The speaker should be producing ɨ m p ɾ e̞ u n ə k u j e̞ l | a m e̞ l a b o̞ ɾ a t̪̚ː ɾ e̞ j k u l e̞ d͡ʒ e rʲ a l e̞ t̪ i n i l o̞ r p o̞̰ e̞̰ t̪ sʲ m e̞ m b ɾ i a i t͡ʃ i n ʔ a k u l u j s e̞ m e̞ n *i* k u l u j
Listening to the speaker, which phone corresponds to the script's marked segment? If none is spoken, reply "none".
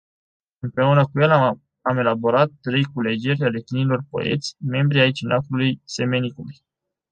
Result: i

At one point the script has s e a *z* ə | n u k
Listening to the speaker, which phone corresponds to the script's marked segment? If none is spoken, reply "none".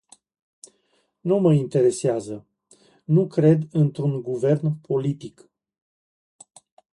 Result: z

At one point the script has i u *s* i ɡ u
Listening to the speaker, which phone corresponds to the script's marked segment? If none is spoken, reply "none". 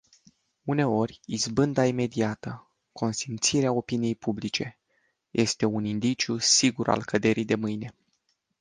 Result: s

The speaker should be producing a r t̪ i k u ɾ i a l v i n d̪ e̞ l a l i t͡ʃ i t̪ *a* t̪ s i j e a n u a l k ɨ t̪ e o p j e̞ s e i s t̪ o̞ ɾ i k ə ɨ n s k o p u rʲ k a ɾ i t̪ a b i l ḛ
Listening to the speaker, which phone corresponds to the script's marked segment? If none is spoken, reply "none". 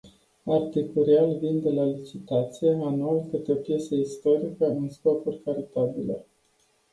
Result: a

